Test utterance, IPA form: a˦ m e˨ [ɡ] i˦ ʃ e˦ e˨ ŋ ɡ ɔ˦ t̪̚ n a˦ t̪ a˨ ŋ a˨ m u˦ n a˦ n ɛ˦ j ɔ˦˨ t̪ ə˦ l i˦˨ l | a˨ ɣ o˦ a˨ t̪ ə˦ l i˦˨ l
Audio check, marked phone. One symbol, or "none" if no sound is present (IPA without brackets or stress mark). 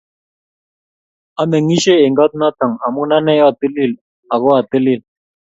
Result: ŋ